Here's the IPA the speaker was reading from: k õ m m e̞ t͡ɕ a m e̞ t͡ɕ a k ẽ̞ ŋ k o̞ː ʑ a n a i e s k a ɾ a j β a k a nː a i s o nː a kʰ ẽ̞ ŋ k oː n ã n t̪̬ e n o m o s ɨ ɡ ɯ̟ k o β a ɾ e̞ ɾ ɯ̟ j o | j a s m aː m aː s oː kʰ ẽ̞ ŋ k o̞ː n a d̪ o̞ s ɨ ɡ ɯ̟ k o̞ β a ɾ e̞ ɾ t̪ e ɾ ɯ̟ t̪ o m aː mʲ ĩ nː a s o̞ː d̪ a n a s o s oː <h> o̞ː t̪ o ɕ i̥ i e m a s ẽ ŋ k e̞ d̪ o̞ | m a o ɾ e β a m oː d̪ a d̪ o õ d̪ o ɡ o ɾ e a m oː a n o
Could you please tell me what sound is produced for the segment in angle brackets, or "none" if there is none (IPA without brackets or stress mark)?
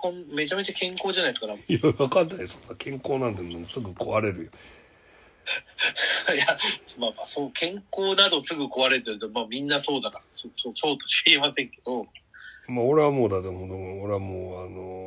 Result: s